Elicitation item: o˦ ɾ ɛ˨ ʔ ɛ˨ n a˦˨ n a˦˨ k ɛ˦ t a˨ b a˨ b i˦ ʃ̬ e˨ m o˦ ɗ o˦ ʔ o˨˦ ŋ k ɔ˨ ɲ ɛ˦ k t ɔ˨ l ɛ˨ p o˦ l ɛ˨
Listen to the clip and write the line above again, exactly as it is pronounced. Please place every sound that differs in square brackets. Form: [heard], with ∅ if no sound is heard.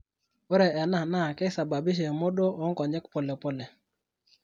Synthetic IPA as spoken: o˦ ɾ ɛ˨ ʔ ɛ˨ n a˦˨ n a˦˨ k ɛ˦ [s] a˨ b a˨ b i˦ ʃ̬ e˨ m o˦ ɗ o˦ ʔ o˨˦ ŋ k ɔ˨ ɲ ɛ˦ k [p] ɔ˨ l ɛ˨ p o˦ l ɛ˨

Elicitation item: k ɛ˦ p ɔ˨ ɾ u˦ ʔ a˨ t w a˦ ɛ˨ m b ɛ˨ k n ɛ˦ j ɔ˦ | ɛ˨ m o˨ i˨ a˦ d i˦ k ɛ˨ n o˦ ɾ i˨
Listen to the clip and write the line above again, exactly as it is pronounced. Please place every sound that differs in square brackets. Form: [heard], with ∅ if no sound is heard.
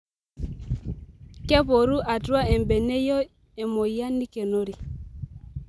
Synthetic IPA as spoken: k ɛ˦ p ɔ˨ ɾ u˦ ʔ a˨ t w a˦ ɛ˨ m b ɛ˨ [∅] n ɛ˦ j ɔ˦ | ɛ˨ m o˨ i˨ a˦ [n] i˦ k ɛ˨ n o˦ ɾ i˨

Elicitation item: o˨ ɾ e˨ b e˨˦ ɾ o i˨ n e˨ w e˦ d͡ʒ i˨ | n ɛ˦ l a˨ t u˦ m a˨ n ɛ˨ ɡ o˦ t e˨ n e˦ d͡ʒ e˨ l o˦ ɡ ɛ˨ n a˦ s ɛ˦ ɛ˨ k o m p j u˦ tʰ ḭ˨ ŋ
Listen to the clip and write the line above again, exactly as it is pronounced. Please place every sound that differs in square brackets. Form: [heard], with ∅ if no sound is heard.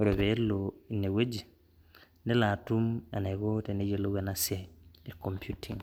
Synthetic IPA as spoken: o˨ ɾ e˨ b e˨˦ [l] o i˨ n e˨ w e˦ d͡ʒ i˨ | n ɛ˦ l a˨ t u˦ m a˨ n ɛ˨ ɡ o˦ t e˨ n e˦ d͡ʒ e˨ l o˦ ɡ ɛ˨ n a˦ s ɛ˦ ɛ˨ k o m p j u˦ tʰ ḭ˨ ŋ

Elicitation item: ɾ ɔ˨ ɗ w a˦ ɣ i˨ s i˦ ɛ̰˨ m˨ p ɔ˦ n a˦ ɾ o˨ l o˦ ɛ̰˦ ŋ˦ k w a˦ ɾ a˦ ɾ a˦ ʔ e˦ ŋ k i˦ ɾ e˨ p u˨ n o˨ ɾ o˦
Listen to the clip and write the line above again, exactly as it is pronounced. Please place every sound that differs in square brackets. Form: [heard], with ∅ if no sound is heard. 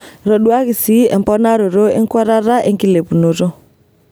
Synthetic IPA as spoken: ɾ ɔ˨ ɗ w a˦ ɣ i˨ s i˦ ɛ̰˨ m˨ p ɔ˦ n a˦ ɾ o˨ [ɾ] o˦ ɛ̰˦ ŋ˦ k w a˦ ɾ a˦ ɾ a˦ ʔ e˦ ŋ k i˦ [l] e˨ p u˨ n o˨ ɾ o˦

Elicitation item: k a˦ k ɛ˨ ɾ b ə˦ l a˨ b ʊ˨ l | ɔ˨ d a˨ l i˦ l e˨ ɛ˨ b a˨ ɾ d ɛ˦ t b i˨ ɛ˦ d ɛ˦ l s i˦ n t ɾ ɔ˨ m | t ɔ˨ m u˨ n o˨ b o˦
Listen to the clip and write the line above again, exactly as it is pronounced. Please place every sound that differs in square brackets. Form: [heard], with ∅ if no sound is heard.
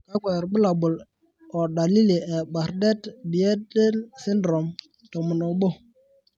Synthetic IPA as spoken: k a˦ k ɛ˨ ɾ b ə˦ l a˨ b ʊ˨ l | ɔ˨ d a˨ l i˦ l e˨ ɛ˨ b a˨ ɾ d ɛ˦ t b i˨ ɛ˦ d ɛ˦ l s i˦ n [d] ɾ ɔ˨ m | t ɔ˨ m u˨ n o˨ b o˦

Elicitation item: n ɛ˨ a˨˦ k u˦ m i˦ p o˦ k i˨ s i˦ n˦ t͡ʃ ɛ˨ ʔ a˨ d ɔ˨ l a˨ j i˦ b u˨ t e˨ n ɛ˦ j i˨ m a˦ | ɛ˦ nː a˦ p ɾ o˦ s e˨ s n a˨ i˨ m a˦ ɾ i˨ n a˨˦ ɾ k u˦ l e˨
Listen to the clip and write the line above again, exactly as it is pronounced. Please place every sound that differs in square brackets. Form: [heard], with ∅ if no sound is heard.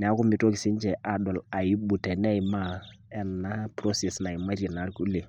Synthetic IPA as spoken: n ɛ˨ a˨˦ k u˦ m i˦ [t] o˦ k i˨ s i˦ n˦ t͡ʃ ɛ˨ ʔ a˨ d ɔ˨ l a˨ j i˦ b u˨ t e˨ n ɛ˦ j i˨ m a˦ | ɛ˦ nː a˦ p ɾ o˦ s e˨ s n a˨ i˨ m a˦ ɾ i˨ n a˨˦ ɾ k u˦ l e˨

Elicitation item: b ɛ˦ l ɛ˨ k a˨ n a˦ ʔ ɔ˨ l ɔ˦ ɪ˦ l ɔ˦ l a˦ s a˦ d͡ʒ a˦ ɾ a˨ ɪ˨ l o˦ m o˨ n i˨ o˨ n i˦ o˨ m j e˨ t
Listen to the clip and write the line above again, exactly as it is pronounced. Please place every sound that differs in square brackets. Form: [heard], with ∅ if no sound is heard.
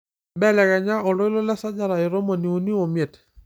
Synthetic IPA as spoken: b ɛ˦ l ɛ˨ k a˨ [ɲ] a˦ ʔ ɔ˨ l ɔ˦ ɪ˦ l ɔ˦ l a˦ s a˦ d͡ʒ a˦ ɾ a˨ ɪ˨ [ɾ] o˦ m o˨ n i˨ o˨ n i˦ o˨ m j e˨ t

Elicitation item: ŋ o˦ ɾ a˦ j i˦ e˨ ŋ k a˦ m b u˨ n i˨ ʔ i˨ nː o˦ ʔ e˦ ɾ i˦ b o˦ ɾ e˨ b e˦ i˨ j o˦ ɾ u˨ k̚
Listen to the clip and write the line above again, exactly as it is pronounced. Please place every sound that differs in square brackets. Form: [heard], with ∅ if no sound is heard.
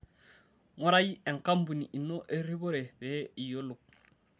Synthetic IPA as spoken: ŋ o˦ ɾ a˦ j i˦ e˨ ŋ k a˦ m b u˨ n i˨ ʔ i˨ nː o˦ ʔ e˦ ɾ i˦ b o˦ ɾ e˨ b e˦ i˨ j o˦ [l] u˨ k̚

